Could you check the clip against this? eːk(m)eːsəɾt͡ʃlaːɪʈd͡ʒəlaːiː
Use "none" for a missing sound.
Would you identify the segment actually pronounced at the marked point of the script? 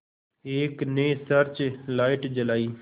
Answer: n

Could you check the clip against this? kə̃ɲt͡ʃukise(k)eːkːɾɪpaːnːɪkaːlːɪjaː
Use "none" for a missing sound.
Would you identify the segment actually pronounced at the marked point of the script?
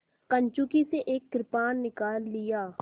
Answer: ʔ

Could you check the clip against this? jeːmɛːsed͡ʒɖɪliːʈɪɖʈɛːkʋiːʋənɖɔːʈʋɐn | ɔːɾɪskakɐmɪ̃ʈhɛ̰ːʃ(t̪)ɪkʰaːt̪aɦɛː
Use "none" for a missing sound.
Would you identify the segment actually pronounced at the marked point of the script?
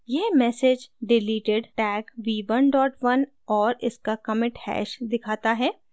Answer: d̪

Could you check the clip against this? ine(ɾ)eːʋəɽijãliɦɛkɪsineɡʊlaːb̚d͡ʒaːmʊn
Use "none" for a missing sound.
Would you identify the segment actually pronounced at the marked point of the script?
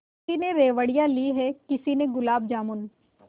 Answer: ɾ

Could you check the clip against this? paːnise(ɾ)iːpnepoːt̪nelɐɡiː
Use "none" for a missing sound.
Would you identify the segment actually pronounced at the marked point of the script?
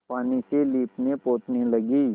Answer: l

